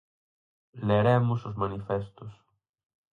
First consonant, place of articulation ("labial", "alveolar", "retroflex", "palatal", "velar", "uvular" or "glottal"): alveolar